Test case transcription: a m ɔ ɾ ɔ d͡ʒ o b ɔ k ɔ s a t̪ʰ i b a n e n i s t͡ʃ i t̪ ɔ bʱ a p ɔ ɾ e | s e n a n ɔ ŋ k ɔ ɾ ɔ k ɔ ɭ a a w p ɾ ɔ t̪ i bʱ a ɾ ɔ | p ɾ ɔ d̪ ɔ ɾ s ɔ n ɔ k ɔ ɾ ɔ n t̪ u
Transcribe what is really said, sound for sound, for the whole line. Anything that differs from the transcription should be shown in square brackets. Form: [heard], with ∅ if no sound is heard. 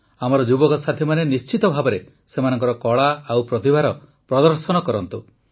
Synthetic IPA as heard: a m ɔ ɾ ɔ d͡ʒ [u] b ɔ k ɔ s a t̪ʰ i [m] a n e n i s t͡ʃ i t̪ ɔ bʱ a [b] ɔ ɾ e | s e [m] a n ɔ ŋ k ɔ ɾ ɔ k ɔ ɭ a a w p ɾ ɔ t̪ i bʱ a ɾ ɔ | p ɾ ɔ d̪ ɔ ɾ s ɔ n ɔ k ɔ ɾ ɔ n t̪ u